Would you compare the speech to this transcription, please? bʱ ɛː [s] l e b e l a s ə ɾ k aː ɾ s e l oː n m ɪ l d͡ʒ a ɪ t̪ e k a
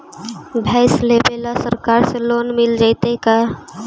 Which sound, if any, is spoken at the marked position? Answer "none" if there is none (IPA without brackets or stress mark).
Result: s